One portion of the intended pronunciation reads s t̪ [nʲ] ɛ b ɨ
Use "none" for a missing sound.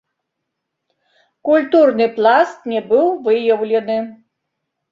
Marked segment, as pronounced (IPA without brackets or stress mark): nʲ